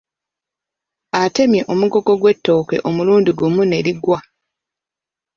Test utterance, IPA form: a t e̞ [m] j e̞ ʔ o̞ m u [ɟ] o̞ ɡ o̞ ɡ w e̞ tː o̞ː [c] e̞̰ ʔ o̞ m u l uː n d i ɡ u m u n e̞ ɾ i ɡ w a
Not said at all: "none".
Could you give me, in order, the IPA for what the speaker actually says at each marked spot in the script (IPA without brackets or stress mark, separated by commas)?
m, ɡ, k